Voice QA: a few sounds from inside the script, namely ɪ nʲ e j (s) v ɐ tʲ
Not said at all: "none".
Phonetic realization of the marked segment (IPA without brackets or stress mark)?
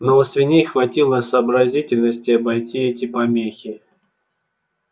x